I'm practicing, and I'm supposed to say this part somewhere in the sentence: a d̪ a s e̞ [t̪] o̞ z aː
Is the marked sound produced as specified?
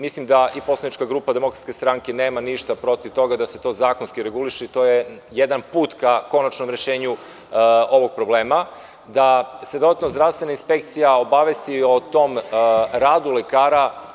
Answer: yes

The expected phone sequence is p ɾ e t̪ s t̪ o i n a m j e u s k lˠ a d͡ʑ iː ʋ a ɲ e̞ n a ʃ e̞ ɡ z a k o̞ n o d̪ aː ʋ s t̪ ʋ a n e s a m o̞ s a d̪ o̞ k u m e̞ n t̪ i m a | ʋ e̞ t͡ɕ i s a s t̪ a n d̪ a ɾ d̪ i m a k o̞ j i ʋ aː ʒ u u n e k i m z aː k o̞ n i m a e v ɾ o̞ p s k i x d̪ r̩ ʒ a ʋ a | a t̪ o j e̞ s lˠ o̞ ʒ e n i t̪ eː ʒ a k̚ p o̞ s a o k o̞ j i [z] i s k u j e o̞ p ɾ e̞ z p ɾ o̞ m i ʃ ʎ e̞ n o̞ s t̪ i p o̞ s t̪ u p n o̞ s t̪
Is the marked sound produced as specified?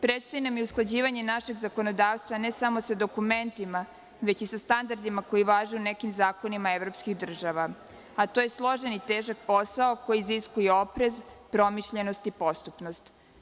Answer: yes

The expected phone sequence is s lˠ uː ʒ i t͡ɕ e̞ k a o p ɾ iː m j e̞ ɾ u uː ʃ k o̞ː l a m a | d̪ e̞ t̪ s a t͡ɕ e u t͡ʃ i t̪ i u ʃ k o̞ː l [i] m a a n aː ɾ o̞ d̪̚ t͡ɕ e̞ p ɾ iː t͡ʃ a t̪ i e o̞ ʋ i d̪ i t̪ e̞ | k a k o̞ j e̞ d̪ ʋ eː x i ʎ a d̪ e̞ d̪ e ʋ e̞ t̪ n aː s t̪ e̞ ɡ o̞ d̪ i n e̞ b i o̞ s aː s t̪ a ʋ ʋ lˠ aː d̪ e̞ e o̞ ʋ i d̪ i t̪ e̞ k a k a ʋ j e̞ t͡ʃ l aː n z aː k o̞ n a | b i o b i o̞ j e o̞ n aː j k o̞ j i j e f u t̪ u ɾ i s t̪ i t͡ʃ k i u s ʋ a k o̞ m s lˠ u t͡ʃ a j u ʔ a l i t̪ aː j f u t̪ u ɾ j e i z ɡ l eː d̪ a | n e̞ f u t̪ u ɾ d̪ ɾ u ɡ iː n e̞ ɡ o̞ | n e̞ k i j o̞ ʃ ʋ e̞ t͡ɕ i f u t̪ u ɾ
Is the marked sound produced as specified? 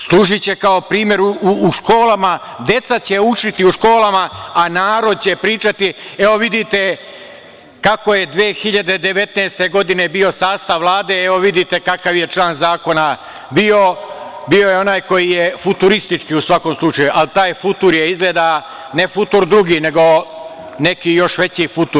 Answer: no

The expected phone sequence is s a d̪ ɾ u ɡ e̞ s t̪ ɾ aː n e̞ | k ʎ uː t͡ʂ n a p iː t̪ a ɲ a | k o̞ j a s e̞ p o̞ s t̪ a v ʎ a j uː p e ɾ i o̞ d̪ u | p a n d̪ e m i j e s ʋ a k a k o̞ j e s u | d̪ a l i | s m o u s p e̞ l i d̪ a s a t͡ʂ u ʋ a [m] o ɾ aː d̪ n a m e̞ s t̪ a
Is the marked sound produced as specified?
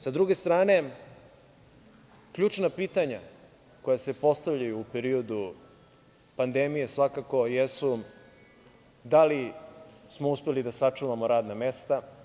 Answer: yes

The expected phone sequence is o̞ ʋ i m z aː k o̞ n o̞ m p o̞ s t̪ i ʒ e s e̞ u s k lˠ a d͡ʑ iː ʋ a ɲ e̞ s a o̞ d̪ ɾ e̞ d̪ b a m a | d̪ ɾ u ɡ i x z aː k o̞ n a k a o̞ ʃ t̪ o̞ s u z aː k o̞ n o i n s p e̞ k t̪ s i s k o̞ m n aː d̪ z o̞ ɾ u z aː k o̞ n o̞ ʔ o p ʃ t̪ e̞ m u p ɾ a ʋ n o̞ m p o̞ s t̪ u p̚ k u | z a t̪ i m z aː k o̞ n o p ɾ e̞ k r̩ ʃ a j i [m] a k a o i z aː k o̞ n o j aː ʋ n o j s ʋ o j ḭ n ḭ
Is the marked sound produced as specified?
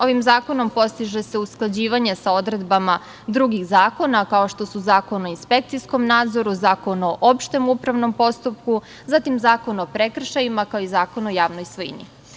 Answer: yes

